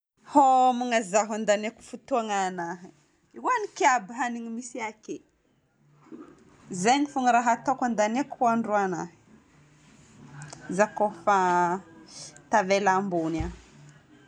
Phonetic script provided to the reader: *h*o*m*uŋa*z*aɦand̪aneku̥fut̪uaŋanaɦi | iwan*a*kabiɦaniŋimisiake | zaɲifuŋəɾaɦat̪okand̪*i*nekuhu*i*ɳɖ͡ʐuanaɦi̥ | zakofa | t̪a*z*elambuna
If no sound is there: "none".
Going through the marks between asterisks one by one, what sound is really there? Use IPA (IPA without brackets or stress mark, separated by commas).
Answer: h, m, z, i, a, a, v